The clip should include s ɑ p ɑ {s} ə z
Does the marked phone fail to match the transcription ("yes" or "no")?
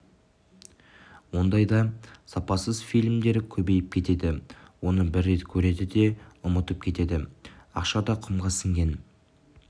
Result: no